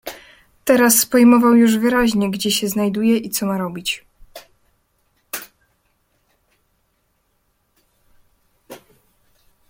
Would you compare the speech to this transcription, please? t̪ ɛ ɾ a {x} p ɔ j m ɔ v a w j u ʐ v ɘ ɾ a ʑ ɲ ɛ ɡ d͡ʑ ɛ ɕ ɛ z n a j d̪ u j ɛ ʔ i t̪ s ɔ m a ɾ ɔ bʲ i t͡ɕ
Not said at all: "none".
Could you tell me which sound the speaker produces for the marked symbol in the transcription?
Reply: s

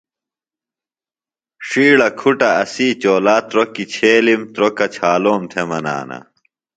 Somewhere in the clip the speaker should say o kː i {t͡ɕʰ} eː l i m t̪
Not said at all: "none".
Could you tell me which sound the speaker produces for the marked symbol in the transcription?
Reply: t͡ɕʰ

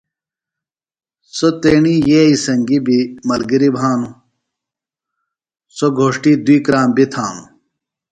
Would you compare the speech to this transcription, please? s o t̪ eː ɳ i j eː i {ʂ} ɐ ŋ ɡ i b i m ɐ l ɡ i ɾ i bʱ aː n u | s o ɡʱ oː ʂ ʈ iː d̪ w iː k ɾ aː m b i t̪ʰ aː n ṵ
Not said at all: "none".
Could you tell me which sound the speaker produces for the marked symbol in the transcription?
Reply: s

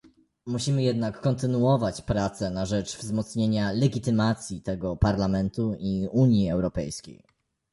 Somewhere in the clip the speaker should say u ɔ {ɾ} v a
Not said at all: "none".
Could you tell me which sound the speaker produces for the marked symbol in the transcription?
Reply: none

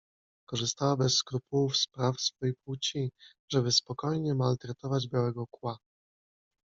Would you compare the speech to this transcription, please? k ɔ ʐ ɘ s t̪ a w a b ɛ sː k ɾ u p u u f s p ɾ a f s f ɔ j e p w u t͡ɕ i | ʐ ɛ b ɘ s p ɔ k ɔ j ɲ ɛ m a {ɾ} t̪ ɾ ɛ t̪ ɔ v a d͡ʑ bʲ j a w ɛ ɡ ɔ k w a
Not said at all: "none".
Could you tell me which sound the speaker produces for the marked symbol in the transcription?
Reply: l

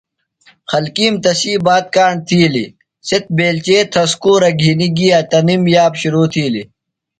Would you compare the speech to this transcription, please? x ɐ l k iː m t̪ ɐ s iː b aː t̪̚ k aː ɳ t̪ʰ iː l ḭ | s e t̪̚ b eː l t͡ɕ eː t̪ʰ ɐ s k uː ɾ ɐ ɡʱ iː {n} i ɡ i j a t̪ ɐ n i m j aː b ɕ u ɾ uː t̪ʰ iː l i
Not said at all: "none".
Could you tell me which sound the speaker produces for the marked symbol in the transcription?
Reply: n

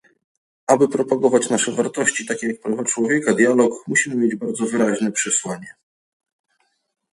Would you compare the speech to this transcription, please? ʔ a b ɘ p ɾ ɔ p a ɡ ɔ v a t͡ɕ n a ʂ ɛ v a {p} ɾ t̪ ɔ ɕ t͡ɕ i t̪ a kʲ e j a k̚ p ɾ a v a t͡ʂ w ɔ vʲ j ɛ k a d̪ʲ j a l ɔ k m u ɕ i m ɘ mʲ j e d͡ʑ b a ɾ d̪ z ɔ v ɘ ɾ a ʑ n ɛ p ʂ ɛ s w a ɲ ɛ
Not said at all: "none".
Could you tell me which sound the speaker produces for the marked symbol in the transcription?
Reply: none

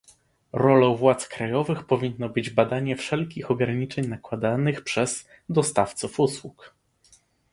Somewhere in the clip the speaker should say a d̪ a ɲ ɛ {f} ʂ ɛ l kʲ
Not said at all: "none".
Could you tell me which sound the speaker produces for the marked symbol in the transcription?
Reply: f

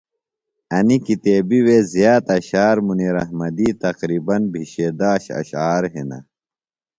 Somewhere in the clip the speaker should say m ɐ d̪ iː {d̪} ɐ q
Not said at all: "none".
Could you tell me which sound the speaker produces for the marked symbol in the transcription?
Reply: t̪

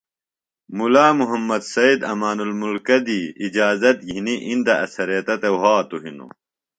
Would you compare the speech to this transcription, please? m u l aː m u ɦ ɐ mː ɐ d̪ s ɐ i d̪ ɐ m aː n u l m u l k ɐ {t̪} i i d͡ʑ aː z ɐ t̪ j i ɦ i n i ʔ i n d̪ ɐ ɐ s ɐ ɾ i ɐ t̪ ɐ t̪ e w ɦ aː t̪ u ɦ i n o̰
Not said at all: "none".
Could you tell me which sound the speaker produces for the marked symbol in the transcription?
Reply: d̪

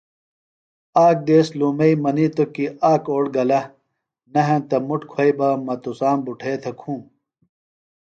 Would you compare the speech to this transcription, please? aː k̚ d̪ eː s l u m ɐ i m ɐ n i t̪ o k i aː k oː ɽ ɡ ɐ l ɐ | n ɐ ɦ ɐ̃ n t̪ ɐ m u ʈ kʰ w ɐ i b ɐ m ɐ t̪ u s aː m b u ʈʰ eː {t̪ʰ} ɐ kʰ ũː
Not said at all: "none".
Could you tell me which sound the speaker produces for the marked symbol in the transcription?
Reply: t̪ʰ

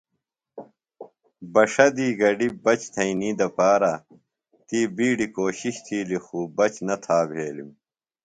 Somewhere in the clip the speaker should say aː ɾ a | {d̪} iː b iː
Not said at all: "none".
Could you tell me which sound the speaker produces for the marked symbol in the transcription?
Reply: t̪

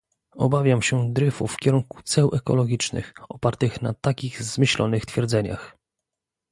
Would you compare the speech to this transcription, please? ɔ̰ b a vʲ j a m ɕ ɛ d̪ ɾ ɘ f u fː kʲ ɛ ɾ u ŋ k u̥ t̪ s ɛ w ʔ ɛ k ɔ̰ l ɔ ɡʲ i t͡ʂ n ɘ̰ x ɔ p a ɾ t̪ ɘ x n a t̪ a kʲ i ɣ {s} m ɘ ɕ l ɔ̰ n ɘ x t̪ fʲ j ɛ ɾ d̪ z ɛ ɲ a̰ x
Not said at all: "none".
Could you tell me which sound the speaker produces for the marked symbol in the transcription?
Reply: z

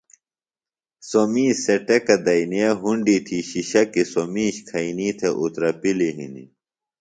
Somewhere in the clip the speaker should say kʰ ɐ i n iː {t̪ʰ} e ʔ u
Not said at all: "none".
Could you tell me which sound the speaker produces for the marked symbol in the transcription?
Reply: t̪ʰ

